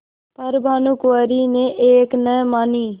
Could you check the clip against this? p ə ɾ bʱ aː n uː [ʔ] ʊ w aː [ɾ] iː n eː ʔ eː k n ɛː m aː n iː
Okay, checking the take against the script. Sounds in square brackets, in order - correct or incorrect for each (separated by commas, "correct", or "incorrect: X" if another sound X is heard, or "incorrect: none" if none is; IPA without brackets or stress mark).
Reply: incorrect: k, correct